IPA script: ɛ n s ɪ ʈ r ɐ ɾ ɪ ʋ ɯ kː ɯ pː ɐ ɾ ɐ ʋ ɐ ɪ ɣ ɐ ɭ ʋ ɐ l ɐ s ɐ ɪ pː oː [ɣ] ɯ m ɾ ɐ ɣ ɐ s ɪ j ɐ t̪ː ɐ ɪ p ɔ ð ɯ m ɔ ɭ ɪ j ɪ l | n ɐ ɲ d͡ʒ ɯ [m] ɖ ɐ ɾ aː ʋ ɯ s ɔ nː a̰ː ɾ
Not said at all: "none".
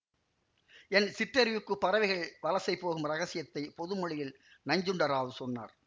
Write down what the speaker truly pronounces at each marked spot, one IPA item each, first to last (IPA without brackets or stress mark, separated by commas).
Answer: ɣ, ɳ